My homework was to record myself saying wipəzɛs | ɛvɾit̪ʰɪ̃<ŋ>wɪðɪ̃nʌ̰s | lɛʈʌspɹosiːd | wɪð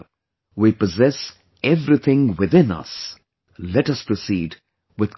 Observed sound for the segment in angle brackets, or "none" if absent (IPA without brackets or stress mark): ŋ